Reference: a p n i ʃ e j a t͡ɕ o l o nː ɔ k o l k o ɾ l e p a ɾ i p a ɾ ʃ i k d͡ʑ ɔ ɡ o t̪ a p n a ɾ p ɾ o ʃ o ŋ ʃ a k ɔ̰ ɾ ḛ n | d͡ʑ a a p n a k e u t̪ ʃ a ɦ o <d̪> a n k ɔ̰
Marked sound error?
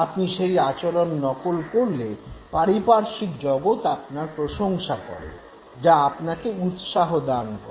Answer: no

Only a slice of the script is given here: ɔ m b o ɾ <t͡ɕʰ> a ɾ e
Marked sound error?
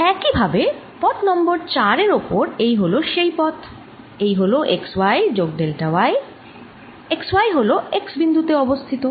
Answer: yes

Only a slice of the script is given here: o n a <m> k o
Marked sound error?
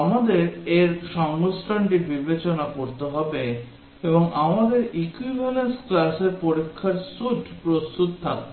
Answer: yes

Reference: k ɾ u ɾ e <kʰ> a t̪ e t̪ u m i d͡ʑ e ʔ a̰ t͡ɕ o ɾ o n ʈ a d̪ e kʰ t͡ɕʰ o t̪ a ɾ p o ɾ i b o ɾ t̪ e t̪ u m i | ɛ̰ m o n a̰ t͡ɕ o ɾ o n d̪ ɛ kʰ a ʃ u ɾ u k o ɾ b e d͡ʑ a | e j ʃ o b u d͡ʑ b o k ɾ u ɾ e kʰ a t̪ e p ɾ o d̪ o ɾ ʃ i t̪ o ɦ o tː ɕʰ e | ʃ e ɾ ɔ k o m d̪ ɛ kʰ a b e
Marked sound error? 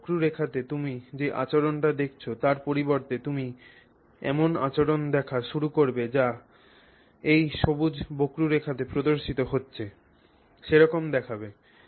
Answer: no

